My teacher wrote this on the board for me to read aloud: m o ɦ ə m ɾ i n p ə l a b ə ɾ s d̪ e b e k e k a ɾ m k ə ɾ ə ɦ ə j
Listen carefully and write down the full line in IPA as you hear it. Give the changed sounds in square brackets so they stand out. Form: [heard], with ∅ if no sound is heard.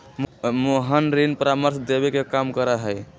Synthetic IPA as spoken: m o ɦ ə [n] ɾ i n p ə [ɾ] a [m] ə ɾ s d̪ e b e k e k a [∅] m k ə ɾ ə ɦ ə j